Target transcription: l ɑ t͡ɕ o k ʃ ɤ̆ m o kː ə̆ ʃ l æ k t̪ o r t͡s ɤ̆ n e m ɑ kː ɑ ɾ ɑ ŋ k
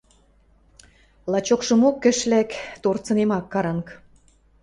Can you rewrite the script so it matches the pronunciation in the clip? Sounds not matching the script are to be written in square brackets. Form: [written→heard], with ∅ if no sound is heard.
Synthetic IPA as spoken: l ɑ t͡ɕ o k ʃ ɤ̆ m o kː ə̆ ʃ l æ k t̪ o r t͡s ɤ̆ n e m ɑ kː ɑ ɾ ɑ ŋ k